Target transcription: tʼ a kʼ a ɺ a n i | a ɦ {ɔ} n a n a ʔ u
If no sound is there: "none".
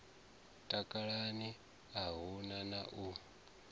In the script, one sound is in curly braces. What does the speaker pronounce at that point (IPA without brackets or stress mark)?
u